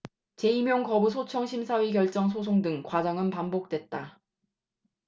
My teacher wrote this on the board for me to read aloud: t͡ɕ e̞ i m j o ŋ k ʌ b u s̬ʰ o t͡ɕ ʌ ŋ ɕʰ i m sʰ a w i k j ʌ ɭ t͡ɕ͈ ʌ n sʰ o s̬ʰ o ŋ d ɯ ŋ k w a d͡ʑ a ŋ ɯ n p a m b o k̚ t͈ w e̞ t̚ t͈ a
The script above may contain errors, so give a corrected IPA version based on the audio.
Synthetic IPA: t͡ɕ e̞ i m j o ŋ k ʌ b u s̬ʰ o t͡ɕʰ ʌ ŋ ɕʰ i m sʰ a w i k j ʌ ɭ t͡ɕ͈ ʌ ŋ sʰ o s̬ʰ o ŋ d ɯ ŋ k w a d͡ʑ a ŋ ɯ n p a m b o k̚ t͈ w e̞ t̚ t͈ a